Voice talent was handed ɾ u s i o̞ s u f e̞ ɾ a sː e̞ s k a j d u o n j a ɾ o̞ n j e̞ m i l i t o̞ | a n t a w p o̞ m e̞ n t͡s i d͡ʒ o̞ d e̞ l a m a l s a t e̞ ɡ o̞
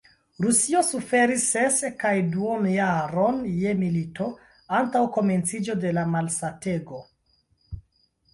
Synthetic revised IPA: ɾ u s i o̞ s u f e̞ ɾ i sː e̞ s k a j d u o n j a ɾ o̞ n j e̞ m i l i t o̞ | a n t a w k o̞ m e̞ n t͡s i d͡ʒ o̞ d e̞ l a m a l s a t e̞ ɡ o̞